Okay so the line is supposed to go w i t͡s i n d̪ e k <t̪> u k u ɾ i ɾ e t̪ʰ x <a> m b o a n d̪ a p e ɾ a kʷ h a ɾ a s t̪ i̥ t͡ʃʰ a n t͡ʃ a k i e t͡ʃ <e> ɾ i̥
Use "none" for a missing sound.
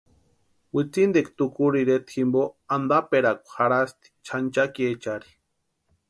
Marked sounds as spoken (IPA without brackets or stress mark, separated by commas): t̪, i, a